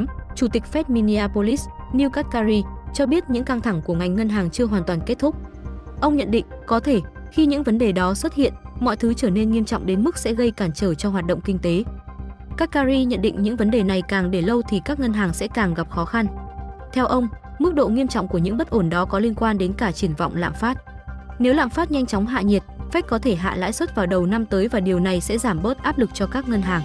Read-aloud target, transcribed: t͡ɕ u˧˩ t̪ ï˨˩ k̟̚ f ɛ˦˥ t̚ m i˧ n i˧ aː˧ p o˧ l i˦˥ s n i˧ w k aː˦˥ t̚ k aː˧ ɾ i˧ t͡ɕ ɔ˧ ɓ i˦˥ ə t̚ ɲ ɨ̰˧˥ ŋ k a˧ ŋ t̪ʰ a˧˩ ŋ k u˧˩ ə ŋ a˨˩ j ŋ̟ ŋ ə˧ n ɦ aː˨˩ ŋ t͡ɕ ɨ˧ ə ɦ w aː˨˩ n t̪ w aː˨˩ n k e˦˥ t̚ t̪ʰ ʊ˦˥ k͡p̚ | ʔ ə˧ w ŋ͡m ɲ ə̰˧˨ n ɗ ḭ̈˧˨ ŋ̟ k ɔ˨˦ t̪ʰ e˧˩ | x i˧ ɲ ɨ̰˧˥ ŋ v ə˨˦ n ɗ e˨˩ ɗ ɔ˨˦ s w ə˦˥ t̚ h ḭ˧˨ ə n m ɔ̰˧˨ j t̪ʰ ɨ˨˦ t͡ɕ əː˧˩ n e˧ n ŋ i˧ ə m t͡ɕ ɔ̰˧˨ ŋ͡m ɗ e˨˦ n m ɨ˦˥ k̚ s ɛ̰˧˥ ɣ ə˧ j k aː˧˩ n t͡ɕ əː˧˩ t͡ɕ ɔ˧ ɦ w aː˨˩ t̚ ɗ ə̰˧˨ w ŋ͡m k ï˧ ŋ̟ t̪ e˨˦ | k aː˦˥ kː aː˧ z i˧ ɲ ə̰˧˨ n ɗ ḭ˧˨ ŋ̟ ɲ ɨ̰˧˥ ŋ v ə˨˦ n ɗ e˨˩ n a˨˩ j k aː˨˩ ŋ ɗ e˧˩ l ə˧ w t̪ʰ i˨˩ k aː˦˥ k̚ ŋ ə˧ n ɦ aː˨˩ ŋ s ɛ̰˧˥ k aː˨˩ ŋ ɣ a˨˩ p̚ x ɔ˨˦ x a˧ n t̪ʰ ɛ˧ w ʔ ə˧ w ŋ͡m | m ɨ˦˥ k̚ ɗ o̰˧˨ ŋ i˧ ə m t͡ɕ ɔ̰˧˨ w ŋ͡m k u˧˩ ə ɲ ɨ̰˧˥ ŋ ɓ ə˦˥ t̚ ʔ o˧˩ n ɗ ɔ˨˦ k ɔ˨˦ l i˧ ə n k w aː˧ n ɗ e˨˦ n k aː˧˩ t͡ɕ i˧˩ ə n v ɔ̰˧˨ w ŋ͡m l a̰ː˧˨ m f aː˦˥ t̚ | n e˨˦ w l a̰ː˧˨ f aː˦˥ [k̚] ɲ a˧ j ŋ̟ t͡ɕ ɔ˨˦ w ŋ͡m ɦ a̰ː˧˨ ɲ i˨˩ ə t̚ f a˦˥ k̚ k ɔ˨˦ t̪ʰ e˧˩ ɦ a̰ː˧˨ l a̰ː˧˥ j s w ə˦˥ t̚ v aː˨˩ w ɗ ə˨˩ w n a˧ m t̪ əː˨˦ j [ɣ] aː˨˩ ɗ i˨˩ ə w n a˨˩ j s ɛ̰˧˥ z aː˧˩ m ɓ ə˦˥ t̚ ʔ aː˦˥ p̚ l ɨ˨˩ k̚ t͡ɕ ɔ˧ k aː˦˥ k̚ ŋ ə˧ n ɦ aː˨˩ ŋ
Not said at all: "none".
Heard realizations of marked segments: t̚, v

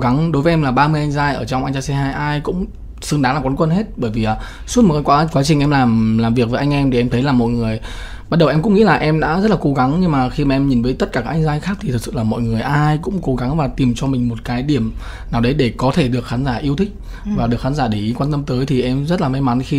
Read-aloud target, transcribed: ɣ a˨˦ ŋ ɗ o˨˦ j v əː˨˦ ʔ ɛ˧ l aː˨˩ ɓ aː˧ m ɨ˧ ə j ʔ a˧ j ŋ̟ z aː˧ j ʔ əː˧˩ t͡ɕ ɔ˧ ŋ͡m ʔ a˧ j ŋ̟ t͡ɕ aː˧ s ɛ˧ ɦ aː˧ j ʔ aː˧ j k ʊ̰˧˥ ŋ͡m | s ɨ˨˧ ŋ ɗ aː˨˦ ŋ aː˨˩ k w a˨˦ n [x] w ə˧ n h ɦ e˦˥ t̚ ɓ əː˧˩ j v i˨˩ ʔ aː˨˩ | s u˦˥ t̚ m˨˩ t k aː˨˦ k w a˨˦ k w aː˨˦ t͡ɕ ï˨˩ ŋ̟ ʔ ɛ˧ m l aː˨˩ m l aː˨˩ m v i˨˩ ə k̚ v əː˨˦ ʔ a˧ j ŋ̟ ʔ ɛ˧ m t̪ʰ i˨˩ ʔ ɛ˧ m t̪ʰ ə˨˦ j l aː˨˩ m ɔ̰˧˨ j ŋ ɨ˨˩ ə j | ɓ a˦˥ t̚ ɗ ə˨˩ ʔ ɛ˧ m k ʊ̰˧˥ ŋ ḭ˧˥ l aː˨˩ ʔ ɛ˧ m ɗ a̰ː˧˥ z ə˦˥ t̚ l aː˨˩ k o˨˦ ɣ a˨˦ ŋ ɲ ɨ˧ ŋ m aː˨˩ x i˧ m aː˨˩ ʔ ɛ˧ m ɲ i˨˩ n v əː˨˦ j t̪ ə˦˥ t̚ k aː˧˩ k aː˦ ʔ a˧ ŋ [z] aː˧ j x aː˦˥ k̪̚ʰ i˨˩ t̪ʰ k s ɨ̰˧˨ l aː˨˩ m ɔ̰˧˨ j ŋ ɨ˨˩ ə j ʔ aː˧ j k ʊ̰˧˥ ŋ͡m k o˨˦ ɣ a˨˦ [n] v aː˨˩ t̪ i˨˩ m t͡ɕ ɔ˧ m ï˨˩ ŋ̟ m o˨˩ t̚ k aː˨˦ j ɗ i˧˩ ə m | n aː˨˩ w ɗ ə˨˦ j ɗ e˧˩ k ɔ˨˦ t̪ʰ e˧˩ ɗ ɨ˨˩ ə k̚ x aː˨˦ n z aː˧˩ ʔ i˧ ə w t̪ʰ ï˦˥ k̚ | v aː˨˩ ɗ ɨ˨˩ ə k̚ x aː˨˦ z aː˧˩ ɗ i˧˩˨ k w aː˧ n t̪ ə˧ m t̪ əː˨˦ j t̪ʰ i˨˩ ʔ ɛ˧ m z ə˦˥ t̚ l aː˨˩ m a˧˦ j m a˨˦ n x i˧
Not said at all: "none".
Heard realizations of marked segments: k, z, ŋ

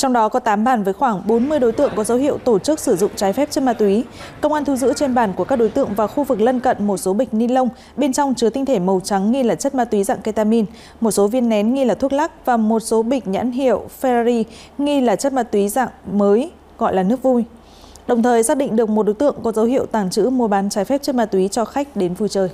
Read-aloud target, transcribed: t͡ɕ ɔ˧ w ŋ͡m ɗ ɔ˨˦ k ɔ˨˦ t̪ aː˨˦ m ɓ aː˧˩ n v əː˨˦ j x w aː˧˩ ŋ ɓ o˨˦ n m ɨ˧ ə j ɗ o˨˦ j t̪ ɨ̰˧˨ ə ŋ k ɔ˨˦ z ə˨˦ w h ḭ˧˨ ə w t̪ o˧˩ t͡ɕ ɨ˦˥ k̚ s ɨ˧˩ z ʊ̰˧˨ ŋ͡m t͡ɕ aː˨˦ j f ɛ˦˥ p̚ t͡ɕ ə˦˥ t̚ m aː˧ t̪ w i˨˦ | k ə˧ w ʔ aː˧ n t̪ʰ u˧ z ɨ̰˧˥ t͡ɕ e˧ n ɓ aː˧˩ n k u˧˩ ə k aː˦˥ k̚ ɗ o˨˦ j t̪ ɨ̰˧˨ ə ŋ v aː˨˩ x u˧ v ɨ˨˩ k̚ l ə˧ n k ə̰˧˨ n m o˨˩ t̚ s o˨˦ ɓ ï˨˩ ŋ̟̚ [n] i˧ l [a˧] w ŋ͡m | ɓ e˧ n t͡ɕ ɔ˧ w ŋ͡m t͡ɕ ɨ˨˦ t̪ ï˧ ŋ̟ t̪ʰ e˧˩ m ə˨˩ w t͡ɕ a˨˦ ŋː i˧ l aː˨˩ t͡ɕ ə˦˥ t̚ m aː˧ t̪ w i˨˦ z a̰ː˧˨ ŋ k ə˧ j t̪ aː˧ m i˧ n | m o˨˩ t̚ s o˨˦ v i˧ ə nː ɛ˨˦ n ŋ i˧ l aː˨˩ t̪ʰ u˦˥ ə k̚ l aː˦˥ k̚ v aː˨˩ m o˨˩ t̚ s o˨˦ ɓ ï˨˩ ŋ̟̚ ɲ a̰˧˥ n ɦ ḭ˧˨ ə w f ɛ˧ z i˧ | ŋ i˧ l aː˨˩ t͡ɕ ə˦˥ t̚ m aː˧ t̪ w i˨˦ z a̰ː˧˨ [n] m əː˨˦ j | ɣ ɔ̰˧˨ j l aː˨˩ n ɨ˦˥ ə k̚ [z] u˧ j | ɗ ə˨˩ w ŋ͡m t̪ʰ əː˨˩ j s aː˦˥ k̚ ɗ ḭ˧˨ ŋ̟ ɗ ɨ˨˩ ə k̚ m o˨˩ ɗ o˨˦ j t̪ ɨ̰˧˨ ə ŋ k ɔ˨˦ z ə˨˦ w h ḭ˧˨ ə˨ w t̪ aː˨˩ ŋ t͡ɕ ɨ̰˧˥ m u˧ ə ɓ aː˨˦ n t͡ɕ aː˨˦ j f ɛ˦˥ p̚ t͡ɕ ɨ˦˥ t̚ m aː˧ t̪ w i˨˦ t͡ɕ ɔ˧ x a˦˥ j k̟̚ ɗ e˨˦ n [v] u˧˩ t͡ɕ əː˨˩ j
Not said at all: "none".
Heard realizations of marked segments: n, ə˧, ŋ, v, v

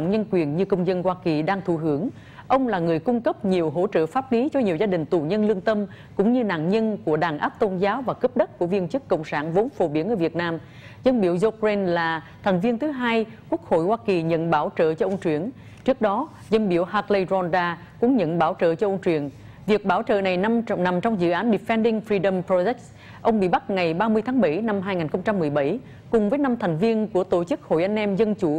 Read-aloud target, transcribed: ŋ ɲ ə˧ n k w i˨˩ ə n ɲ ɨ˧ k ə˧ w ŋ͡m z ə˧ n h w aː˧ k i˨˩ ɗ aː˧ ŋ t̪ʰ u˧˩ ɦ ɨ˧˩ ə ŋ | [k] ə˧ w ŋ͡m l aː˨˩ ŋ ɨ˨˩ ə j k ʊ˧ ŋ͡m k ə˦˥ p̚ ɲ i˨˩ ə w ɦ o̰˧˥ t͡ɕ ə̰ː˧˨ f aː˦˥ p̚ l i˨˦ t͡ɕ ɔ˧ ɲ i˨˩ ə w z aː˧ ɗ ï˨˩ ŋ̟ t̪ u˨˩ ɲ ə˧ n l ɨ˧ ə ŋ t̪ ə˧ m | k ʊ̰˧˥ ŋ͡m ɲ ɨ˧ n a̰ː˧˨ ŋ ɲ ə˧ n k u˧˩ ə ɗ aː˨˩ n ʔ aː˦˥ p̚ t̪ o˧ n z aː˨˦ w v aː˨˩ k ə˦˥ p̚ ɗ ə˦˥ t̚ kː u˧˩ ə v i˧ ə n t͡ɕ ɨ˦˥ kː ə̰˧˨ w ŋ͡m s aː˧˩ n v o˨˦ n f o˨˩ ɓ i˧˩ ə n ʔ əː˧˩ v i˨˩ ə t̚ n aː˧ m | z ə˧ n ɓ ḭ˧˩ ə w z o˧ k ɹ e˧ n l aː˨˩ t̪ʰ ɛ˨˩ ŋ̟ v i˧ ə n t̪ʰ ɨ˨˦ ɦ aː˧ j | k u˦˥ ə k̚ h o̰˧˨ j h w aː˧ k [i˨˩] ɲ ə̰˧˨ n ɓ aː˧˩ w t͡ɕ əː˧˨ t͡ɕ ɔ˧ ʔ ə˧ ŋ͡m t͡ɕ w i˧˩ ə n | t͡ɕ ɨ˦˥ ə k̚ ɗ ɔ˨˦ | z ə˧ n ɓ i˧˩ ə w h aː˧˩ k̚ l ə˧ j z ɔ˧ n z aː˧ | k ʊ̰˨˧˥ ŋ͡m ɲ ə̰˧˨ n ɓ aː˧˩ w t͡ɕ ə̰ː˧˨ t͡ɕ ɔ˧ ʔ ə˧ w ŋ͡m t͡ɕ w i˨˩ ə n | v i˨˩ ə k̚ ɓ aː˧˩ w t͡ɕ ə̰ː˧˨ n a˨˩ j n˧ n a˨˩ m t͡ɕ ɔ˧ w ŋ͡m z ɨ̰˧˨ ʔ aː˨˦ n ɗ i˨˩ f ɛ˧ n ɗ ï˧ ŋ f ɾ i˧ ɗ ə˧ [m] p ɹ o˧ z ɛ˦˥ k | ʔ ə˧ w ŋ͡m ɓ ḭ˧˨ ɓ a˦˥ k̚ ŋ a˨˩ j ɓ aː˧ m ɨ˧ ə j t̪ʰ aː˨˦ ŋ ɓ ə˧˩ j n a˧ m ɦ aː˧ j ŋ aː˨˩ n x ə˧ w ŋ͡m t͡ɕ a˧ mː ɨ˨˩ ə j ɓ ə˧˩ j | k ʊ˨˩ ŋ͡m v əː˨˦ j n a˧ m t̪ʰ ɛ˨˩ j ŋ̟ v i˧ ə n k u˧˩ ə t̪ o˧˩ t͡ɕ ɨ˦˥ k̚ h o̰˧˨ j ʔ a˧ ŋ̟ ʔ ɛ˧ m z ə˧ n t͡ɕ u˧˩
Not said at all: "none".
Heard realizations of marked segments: ʔ, i˨˩, m

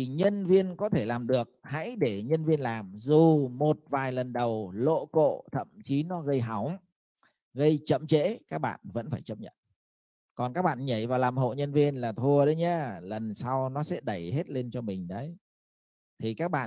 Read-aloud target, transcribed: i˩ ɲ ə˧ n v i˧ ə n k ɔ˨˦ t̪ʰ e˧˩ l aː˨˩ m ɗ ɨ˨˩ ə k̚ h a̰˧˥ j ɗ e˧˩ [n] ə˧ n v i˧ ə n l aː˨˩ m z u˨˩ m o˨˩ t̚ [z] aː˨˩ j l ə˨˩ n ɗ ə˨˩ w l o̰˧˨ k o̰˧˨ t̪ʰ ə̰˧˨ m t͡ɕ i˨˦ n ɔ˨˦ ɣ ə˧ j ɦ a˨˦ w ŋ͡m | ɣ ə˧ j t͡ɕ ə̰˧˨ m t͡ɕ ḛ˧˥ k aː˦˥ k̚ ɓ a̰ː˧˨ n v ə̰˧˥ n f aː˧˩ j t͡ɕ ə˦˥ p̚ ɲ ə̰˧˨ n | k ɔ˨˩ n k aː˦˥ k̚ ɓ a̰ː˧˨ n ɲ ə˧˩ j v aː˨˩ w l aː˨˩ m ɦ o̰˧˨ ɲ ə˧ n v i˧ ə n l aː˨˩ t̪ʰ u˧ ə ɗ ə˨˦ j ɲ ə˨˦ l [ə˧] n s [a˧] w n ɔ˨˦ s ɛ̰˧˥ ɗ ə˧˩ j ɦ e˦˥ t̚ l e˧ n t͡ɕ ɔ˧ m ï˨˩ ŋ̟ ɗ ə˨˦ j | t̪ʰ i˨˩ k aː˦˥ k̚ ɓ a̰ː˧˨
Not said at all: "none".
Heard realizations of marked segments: ɲ, v, ə˨˩, a˧

